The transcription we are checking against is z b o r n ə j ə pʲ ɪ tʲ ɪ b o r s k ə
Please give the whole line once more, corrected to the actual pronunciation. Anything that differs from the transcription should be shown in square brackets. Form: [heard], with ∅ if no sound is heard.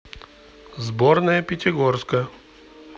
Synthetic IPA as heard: z b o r n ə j ə pʲ ɪ tʲ ɪ [ɡ] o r s k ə